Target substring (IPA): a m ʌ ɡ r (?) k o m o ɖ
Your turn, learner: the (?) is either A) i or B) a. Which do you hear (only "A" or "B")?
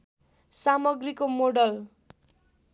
A